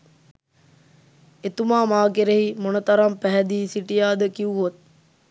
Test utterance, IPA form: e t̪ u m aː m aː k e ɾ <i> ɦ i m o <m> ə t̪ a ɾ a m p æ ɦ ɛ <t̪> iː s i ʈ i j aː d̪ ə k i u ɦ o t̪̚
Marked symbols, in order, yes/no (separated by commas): no, no, no